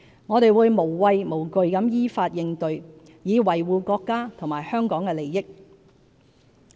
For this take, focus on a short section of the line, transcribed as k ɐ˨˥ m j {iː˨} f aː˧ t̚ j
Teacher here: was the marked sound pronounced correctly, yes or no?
no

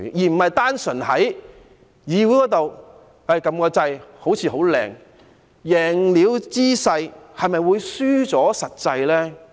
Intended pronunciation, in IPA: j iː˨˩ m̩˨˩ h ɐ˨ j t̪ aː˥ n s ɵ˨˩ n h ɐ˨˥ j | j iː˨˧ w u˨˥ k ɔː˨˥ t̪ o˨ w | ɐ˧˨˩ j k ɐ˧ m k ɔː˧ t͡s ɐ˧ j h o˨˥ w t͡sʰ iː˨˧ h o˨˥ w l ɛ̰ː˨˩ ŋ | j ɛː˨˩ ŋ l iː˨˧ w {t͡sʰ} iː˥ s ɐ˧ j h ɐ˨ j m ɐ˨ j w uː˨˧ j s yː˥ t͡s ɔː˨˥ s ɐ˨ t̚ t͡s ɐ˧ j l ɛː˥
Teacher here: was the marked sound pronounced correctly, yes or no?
no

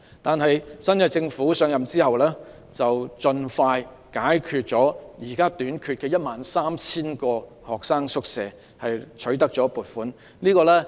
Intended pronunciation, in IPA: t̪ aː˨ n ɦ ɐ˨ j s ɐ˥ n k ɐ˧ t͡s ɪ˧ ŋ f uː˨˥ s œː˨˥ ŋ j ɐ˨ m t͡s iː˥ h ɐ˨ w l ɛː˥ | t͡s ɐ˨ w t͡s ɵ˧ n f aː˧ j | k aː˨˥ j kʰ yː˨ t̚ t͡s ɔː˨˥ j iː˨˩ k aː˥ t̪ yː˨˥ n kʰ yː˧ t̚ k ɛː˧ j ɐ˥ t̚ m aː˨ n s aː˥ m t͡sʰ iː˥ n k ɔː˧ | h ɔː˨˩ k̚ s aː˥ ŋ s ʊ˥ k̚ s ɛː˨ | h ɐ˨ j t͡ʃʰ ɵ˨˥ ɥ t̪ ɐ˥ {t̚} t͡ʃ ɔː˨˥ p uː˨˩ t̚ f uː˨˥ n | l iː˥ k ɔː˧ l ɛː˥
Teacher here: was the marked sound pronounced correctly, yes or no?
no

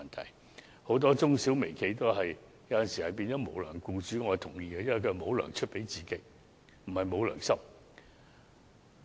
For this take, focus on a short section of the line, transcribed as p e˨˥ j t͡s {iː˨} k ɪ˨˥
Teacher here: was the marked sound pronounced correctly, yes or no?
yes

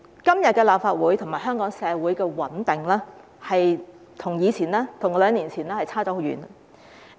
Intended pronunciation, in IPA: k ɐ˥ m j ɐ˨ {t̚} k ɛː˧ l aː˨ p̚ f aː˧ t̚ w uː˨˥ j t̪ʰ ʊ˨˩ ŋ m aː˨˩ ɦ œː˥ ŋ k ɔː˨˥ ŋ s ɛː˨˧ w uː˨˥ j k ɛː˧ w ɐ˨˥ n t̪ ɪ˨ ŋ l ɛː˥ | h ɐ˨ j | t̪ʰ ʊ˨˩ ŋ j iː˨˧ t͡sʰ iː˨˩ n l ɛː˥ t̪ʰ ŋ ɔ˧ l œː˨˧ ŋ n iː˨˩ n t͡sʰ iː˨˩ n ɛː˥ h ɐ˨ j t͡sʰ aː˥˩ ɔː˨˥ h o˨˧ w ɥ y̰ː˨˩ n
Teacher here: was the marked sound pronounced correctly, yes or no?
yes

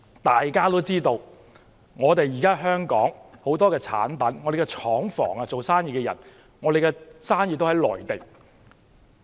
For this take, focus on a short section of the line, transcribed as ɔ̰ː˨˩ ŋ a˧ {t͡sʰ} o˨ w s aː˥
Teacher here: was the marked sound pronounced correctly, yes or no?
no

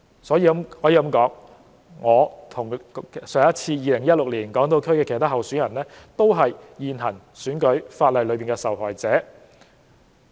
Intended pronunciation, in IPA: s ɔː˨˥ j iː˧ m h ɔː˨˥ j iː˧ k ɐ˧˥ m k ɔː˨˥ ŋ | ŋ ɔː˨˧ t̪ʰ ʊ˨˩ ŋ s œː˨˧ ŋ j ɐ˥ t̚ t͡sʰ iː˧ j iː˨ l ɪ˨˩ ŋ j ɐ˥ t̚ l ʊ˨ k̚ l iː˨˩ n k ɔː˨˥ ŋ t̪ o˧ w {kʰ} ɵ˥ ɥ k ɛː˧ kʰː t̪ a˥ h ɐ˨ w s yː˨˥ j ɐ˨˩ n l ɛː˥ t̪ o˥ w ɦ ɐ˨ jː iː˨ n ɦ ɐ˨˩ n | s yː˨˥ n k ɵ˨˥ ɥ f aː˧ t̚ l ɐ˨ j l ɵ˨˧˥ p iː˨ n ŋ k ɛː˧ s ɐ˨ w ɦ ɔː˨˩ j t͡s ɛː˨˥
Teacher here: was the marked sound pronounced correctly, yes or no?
yes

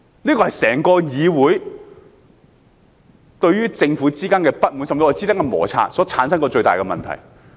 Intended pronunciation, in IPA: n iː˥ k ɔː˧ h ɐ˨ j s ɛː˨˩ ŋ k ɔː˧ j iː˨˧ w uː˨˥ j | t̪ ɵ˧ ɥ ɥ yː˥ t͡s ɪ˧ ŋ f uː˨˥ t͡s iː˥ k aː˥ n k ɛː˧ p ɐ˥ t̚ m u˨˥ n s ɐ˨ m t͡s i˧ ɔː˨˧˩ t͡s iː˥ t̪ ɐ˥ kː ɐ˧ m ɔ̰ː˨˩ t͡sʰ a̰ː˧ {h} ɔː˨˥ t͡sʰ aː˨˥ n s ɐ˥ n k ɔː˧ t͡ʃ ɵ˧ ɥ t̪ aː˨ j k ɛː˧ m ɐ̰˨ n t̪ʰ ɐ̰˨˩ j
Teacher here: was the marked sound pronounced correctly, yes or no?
no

